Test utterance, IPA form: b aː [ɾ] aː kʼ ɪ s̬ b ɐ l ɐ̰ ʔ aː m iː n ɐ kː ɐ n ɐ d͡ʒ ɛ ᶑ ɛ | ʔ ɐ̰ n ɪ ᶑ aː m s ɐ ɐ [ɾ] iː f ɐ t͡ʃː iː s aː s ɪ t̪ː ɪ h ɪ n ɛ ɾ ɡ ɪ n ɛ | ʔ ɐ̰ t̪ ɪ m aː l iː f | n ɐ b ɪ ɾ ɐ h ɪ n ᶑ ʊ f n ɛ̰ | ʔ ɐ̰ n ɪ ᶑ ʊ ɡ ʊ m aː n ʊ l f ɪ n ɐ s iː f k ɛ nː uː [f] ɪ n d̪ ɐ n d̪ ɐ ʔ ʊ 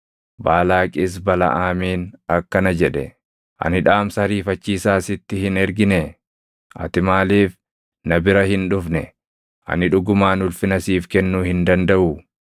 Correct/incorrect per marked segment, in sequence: incorrect: l, correct, incorrect: h

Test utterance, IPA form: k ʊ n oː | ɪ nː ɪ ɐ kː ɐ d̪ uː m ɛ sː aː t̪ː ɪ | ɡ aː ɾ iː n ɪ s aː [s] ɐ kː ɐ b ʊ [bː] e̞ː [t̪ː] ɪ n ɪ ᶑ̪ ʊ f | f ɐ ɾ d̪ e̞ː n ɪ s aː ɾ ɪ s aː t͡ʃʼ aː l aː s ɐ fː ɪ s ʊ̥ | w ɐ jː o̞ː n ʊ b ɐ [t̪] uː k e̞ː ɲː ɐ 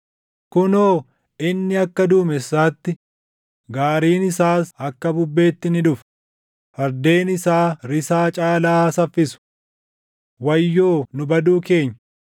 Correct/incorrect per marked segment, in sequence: correct, correct, correct, incorrect: d̪

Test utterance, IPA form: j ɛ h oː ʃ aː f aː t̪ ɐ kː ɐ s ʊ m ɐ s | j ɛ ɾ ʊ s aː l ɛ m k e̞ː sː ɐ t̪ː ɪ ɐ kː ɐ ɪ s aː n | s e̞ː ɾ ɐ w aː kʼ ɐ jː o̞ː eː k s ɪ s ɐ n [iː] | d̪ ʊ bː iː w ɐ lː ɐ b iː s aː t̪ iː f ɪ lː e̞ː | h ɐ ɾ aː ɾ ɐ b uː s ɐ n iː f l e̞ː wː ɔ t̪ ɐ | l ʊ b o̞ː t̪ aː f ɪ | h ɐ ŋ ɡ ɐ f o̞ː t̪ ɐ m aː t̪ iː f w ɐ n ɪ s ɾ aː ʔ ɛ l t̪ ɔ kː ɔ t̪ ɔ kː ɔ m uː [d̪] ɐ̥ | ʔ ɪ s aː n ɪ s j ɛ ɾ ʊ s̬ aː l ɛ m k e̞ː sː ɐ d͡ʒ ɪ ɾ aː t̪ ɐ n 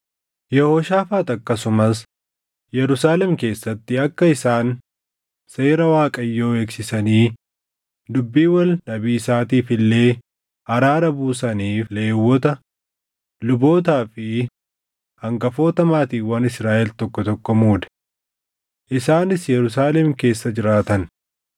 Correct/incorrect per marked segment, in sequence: correct, correct

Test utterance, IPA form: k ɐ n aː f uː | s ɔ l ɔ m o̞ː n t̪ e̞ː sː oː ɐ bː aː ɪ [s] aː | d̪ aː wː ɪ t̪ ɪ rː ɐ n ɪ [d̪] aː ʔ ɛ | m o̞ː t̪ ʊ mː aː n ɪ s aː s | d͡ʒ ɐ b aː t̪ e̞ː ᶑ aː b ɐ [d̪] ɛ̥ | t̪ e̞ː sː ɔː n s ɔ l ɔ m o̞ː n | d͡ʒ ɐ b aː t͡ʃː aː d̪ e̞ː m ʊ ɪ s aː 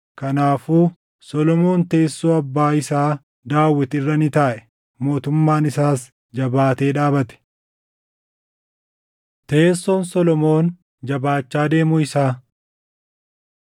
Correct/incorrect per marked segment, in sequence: correct, incorrect: t̪, incorrect: t̪

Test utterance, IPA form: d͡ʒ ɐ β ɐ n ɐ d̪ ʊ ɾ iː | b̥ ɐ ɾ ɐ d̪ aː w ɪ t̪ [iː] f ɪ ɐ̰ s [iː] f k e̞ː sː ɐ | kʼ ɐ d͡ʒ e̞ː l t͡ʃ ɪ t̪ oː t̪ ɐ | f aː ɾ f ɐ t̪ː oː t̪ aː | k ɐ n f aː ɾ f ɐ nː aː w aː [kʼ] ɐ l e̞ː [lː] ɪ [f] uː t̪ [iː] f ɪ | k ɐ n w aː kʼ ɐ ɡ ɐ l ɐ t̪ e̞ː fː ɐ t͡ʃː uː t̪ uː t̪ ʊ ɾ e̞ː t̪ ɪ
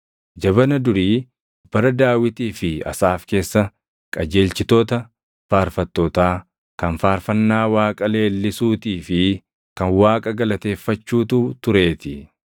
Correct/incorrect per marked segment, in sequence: correct, incorrect: aː, correct, correct, incorrect: s, correct

